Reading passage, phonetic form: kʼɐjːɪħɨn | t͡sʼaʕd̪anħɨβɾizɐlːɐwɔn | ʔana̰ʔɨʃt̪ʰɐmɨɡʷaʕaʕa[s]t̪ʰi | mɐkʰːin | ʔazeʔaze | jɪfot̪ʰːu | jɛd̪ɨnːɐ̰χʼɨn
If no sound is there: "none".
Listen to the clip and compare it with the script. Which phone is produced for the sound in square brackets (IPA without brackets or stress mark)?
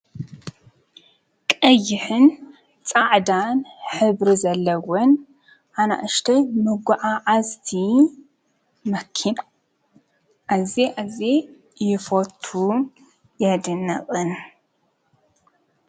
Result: z